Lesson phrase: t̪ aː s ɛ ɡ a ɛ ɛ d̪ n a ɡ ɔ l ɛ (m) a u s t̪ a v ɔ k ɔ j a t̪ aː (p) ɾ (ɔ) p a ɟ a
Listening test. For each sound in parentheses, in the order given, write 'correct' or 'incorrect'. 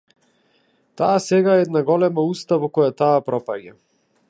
correct, correct, correct

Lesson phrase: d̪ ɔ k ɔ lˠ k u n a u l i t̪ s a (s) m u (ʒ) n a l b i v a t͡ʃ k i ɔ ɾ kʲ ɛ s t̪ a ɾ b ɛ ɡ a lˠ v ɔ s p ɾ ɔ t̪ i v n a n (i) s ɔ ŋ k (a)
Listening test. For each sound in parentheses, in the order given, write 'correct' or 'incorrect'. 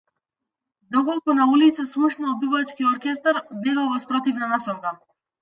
correct, incorrect, incorrect, correct

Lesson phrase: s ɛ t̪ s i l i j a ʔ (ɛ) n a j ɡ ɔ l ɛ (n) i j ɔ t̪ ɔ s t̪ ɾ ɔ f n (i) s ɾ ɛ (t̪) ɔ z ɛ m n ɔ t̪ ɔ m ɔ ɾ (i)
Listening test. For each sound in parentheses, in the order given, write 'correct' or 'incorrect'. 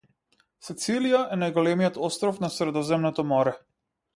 correct, incorrect, incorrect, incorrect, incorrect

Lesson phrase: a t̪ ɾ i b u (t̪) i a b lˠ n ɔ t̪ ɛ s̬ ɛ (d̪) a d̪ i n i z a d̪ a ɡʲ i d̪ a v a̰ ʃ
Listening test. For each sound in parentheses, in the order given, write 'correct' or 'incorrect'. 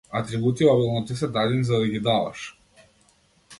correct, correct

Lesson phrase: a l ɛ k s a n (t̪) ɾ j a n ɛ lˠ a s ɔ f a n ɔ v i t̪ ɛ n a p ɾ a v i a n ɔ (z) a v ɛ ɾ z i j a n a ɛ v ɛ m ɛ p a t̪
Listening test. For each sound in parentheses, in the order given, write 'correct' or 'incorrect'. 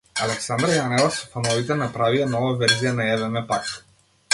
incorrect, incorrect

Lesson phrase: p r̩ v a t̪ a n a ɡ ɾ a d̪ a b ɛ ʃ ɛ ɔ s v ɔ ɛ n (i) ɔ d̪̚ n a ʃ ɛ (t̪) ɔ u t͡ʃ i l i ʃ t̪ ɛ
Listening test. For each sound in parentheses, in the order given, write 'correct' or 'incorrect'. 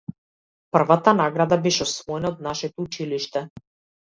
incorrect, correct

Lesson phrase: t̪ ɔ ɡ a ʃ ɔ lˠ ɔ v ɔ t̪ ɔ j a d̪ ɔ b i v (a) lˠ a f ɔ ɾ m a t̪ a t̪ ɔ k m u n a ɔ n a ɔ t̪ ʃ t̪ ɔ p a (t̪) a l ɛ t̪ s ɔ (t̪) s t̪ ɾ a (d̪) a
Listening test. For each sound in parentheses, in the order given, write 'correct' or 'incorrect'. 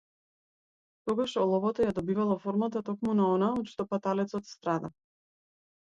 correct, correct, correct, correct

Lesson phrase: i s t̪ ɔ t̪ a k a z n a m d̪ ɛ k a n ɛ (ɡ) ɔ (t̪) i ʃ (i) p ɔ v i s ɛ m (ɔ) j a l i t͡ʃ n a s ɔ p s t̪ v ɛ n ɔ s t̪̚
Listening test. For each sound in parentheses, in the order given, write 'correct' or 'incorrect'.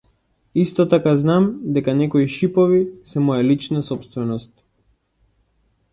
incorrect, incorrect, correct, correct

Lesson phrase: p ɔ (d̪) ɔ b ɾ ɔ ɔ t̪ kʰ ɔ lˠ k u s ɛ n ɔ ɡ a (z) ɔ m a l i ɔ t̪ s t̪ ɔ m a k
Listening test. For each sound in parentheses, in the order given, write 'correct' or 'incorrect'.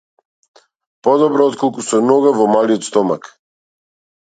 correct, incorrect

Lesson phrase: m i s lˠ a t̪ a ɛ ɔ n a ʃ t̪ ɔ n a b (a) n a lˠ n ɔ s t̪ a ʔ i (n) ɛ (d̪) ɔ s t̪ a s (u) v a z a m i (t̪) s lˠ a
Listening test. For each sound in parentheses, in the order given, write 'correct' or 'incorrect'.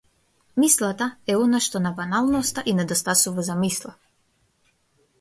correct, correct, correct, correct, incorrect

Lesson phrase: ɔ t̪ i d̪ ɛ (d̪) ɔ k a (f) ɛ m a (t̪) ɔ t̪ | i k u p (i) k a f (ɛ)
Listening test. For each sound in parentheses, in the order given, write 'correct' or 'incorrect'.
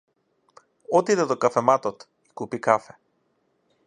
correct, correct, correct, correct, correct

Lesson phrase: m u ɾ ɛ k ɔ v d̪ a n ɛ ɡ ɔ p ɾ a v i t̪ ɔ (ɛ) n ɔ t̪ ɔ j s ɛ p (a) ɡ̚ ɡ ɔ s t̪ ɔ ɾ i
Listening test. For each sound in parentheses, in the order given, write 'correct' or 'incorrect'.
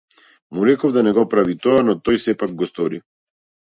incorrect, correct

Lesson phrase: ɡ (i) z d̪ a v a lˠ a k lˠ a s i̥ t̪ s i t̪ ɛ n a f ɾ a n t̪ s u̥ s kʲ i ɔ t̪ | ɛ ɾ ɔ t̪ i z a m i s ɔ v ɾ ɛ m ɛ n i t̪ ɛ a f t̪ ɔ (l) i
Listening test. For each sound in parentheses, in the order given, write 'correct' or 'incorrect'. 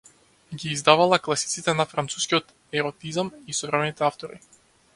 incorrect, incorrect

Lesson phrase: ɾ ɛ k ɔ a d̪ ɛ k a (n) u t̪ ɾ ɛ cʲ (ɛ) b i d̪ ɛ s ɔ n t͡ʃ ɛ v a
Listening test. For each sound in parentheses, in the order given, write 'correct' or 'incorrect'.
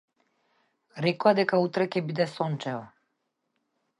incorrect, correct

